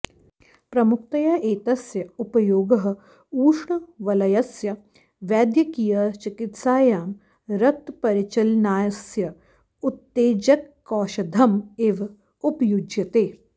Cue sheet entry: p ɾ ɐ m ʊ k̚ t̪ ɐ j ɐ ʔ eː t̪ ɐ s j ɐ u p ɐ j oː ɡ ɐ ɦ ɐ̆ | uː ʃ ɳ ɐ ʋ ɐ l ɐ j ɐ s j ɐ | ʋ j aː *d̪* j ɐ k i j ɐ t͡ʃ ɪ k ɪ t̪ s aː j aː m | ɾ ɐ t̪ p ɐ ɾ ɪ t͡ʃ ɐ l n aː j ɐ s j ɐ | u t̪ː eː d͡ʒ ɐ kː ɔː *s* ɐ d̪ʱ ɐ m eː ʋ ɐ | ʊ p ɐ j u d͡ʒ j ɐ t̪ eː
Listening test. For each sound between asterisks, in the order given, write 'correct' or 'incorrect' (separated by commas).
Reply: correct, incorrect